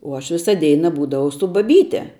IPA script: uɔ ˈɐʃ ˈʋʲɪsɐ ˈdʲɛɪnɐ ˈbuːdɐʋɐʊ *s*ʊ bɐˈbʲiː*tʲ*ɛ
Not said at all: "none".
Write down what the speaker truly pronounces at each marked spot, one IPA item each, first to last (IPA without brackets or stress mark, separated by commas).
s, tʲ